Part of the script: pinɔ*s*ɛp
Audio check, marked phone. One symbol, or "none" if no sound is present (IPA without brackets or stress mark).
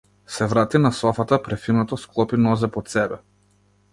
z